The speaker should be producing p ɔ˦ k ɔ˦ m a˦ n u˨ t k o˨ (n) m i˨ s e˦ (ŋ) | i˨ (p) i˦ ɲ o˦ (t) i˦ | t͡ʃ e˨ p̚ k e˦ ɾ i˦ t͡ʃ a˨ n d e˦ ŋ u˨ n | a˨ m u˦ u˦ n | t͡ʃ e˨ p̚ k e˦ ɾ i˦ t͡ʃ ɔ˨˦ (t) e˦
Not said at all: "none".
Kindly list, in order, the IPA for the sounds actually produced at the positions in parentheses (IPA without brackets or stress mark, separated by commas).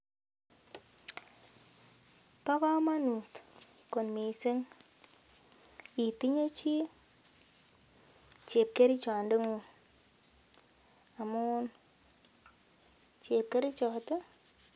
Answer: n, ŋ, p, t͡ʃ, t